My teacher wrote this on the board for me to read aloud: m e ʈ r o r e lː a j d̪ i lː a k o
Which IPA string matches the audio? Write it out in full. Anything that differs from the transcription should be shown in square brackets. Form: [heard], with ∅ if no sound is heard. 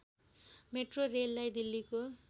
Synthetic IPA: m e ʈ r o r e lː a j d̪ i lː [i] k o